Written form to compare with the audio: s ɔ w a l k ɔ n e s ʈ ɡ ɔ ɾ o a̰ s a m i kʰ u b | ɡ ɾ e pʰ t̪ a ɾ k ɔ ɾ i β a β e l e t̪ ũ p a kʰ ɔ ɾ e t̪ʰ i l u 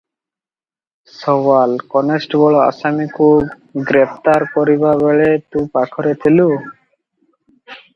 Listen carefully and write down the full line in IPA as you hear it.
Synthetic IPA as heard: s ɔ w a l k ɔ n e s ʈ ɡ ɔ ɭ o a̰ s a m i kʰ u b | ɡ ɾ e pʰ t̪ a ɾ k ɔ ɾ i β a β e ɭ e t̪ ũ p a kʰ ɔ ɾ e t̪ʰ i l u

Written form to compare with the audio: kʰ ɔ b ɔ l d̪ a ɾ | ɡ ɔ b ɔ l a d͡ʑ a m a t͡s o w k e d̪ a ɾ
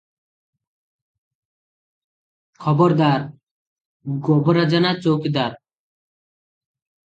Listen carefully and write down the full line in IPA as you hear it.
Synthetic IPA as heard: kʰ ɔ b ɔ ɾ d̪ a ɾ | ɡ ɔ b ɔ ɾ a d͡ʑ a n a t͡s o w k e d̪ a ɾ

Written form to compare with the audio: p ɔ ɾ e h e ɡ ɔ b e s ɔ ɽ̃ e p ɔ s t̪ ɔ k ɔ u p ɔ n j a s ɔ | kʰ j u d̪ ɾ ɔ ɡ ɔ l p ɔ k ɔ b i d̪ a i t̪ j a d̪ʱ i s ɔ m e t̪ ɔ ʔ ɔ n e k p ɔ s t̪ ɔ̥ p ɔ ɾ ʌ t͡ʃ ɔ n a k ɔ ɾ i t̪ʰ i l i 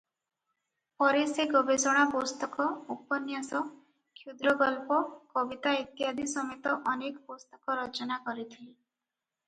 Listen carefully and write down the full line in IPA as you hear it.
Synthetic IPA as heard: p ɔ ɾ e s e ɡ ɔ b e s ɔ ɽ̃ a p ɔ s t̪ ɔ k ɔ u p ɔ n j a s ɔ | kʰ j u d̪ ɾ ɔ ɡ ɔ l p ɔ k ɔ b i t̪ a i t̪ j a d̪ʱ i s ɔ m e t̪ ɔ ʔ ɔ n e k p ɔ s t̪ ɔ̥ k ɔ ɾ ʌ t͡ʃ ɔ n a k ɔ ɾ i t̪ʰ i l i

